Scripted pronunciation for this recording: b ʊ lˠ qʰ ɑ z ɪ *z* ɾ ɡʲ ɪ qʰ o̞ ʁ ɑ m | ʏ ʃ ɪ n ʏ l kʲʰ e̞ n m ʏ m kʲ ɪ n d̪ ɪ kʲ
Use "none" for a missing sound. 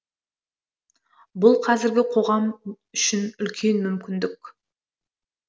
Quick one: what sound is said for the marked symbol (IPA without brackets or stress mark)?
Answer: none